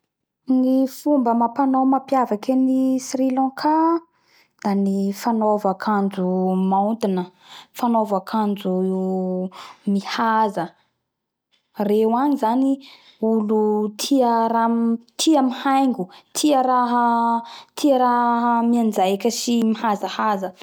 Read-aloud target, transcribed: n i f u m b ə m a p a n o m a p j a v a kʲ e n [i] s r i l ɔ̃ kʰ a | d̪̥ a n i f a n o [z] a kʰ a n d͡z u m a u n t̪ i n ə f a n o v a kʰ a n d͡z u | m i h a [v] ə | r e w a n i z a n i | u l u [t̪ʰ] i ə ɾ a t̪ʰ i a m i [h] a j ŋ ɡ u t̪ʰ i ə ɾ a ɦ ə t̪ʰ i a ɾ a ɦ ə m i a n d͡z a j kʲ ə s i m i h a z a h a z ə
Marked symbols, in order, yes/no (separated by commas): yes, no, no, yes, yes